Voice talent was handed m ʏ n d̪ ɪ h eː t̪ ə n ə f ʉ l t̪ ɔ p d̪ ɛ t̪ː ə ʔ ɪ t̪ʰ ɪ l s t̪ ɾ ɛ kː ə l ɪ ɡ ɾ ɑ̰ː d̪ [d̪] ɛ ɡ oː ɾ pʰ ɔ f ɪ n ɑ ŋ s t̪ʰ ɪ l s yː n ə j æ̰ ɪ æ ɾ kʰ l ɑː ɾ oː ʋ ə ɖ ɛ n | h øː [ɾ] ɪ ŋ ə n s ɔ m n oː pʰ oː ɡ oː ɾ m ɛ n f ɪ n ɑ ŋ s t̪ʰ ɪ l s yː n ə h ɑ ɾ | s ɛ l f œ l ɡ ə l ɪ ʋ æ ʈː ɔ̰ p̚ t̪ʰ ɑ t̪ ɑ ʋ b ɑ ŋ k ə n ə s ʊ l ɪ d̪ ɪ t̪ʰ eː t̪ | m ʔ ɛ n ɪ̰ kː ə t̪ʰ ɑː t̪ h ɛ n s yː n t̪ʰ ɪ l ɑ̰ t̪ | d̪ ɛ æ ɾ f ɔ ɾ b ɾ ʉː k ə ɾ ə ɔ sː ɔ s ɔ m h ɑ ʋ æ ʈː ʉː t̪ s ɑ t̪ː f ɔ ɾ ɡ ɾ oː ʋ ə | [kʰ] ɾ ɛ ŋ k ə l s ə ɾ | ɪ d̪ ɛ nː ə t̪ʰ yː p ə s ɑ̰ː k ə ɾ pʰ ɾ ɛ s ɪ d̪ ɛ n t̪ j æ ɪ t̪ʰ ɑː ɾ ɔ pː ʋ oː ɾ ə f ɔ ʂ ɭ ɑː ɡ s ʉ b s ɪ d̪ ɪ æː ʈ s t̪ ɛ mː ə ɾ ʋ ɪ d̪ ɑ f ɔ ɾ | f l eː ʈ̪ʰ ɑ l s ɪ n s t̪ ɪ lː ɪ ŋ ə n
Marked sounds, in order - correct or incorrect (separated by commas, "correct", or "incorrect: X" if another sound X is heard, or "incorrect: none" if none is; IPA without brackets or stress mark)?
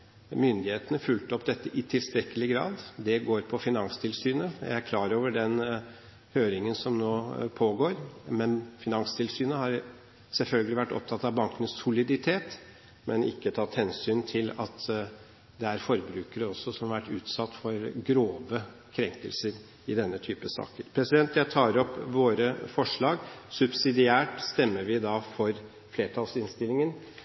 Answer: correct, correct, correct